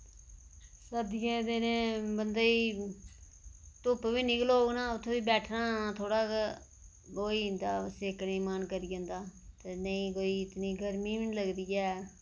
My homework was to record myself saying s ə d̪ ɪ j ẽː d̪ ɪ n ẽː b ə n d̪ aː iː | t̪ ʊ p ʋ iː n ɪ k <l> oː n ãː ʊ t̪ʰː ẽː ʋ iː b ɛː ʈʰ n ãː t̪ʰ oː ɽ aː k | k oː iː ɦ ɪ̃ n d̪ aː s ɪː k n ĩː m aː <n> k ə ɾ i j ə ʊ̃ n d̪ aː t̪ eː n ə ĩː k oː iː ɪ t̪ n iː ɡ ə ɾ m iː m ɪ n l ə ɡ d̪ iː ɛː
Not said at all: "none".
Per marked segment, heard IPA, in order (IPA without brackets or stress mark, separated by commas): l, n